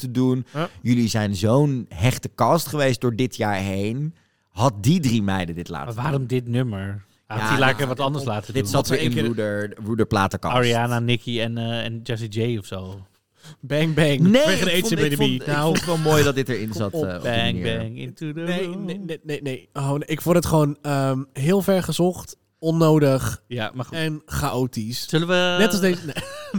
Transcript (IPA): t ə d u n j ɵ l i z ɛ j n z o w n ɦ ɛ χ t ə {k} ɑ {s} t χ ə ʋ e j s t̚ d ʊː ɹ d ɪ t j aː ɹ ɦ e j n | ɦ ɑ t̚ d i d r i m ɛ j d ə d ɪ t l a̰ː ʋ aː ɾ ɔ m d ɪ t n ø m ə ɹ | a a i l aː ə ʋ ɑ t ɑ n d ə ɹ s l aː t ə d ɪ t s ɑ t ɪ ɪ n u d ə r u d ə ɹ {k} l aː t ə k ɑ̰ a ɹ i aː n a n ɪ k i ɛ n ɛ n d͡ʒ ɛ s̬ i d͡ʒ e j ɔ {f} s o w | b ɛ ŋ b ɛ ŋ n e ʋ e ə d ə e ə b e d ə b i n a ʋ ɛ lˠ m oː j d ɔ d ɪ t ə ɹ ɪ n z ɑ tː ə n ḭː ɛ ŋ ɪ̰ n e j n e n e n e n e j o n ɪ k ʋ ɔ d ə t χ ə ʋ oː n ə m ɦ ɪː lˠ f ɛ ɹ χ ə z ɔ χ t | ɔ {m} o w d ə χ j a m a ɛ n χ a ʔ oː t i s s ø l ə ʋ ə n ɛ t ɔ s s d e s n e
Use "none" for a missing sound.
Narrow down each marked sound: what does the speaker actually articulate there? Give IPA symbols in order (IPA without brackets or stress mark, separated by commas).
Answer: k, s, p, f, n